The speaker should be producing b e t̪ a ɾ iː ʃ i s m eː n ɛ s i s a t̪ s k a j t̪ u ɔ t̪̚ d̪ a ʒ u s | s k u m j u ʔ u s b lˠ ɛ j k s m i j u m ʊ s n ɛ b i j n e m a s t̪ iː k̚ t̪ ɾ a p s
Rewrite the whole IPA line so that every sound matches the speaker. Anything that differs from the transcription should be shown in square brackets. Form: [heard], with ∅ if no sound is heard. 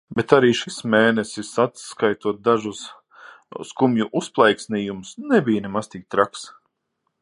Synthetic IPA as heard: b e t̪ a ɾ iː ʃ i s m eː n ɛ s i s a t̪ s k a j t̪ u ɔ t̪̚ d̪ a ʒ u s | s k u m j u ʔ u s [p] lˠ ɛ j k s [n] i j u m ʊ s n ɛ b i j n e m a s t̪ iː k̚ t̪ ɾ a [k] s